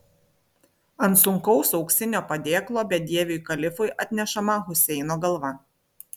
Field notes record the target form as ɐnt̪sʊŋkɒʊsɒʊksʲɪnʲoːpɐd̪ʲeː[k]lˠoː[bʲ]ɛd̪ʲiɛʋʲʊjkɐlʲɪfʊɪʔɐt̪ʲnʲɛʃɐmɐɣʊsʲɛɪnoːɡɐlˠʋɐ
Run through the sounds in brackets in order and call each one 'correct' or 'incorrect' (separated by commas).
correct, correct